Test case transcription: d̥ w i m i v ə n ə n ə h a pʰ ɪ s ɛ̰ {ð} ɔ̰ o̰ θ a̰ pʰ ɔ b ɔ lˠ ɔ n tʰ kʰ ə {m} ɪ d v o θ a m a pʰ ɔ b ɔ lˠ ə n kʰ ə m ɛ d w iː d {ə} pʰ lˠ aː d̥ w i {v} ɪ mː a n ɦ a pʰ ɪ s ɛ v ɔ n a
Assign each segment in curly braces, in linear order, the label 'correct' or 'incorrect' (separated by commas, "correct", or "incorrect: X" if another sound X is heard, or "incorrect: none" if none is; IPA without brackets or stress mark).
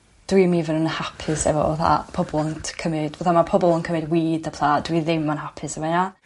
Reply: incorrect: v, correct, correct, incorrect: ð